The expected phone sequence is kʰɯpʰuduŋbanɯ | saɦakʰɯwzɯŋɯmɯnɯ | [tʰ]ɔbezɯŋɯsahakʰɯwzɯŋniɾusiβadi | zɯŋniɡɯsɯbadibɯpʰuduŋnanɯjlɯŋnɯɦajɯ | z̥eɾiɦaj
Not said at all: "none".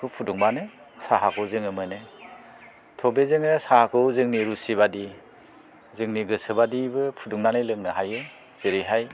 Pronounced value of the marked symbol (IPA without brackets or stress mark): tʰ